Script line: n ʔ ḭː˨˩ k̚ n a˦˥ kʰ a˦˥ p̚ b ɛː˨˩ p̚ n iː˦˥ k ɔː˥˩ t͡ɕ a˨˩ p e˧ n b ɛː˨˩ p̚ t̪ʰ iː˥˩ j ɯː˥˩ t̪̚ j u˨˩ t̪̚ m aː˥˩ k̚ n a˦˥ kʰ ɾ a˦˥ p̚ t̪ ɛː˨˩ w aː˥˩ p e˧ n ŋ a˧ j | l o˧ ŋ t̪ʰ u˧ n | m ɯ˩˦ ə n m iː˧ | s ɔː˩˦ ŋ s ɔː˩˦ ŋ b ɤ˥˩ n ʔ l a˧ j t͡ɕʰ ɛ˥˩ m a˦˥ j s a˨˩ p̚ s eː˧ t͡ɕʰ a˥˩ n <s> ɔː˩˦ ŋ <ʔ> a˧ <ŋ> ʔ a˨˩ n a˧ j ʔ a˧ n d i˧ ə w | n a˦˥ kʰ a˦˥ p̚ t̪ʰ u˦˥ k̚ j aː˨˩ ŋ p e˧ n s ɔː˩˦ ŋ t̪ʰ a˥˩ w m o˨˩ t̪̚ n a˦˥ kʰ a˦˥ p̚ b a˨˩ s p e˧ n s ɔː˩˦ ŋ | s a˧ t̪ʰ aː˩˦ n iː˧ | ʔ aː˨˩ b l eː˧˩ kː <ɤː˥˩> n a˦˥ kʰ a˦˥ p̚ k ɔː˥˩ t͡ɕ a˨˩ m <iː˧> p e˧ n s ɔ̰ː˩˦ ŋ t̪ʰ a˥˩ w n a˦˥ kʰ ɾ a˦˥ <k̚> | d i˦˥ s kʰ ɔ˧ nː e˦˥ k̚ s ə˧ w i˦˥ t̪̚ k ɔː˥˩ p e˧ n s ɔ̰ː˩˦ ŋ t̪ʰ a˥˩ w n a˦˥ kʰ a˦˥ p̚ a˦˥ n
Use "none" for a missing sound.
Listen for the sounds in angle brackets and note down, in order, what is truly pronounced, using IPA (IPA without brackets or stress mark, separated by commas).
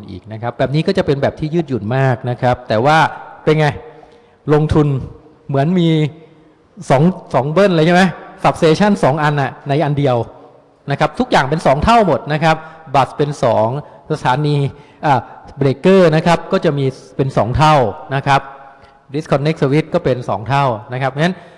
s, ʔ, n, ɤː˥˩, iː˧, p̚